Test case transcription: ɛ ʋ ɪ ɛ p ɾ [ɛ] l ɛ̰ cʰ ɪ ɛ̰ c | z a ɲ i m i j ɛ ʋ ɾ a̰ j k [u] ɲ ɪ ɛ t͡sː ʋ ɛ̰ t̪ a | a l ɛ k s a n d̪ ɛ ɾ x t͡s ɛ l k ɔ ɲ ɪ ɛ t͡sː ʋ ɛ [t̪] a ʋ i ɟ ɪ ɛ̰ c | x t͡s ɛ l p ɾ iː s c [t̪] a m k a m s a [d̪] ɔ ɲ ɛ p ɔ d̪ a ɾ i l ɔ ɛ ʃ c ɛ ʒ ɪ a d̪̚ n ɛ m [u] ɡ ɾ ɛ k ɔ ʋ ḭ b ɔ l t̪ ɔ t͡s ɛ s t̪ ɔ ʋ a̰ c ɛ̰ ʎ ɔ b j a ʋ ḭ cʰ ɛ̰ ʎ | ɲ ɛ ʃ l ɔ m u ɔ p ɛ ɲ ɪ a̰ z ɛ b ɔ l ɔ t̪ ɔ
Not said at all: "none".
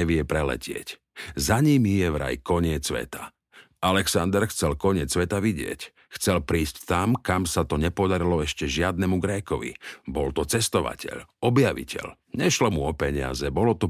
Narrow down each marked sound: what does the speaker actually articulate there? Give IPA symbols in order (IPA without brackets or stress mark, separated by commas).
ɛ, ɔ, t̪, t̪, t̪, u